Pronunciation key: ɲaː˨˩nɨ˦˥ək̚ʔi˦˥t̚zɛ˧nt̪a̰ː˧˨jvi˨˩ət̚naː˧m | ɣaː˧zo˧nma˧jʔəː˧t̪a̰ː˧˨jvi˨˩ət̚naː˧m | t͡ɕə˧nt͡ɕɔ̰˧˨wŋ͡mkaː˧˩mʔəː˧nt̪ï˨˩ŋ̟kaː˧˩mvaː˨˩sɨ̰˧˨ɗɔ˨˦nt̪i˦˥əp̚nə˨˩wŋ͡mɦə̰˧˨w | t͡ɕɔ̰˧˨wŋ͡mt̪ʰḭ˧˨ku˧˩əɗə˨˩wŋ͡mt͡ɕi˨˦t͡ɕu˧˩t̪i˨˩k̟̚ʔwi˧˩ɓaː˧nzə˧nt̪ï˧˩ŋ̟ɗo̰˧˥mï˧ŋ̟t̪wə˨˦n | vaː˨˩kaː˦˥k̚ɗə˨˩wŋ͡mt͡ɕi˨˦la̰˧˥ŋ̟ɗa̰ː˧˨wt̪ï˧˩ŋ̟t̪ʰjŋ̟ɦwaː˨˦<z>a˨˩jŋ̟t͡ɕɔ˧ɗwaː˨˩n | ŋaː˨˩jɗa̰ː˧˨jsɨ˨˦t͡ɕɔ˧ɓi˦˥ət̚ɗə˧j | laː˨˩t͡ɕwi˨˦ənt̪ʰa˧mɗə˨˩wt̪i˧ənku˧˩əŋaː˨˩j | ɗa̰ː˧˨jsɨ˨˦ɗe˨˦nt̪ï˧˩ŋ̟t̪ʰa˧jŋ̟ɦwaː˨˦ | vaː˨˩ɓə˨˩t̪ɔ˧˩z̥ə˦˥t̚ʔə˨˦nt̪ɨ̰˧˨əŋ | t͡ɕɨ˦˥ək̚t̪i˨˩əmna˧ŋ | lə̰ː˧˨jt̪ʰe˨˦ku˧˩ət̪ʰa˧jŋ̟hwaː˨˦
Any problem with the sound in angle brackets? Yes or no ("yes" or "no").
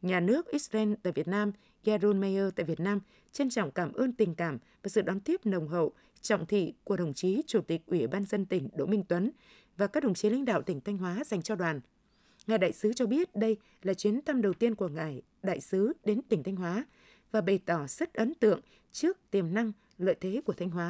no